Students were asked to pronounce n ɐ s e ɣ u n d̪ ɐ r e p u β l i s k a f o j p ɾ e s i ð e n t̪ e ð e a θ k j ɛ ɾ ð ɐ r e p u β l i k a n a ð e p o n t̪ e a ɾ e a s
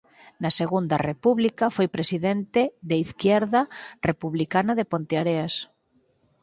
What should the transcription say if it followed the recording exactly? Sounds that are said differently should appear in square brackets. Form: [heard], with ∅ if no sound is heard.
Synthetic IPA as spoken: n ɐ s e ɣ u n d̪ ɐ r e p u β l i [∅] k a f o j p ɾ e s i ð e n t̪ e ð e [i] θ k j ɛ ɾ ð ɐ r e p u β l i k a n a ð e p o n t̪ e a ɾ e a s